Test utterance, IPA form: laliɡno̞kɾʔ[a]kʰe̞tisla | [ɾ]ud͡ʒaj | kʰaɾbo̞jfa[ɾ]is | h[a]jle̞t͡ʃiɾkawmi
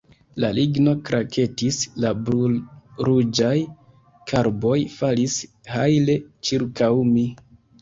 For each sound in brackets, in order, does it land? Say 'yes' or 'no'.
yes, yes, no, yes

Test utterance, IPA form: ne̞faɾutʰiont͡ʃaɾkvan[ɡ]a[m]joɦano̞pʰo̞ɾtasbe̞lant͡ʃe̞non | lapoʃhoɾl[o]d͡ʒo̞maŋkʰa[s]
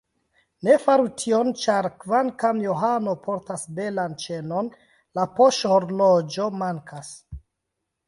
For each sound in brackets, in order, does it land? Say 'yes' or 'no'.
no, yes, yes, yes

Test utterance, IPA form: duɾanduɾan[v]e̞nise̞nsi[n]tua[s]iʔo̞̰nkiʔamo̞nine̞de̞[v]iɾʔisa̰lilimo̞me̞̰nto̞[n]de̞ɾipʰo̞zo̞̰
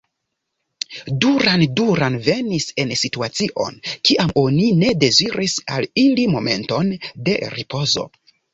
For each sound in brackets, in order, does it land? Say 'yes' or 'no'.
yes, no, no, no, yes

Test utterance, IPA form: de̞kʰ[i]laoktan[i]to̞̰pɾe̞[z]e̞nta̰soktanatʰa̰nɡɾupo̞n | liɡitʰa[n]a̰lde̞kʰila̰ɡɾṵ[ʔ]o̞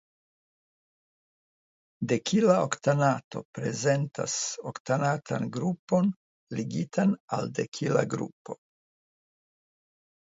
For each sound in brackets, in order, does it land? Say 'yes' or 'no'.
yes, no, yes, yes, no

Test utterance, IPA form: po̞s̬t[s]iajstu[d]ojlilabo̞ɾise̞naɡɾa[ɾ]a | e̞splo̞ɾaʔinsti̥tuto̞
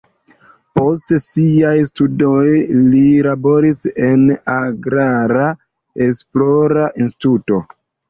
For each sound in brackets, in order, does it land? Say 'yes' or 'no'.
yes, yes, yes

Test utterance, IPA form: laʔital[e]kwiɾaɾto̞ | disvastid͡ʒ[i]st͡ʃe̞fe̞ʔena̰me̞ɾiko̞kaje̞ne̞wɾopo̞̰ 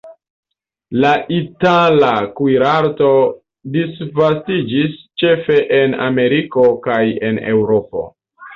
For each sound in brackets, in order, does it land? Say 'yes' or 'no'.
no, yes

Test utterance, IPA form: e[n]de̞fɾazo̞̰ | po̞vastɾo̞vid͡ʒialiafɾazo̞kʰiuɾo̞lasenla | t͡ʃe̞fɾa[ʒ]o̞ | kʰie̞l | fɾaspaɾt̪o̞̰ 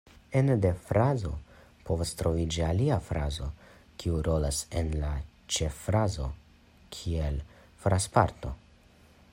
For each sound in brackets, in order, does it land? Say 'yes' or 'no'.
yes, no

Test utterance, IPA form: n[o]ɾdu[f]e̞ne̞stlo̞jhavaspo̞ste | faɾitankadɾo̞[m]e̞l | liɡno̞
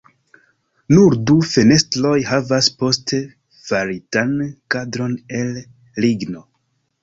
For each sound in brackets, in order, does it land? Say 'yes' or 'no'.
no, yes, no

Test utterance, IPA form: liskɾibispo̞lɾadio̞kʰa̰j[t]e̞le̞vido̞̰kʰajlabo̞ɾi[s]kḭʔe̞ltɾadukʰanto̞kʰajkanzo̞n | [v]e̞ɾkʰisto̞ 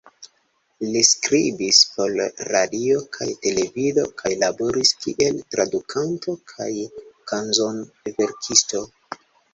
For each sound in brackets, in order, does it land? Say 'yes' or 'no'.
yes, yes, yes

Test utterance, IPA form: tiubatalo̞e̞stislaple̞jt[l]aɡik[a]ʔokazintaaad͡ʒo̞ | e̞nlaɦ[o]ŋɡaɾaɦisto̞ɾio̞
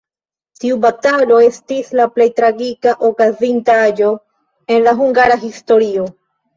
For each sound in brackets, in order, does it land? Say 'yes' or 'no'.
no, yes, no

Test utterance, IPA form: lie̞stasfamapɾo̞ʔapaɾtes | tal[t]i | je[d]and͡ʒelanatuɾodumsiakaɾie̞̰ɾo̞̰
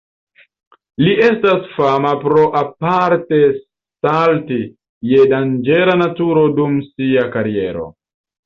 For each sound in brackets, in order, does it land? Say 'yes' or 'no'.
yes, yes

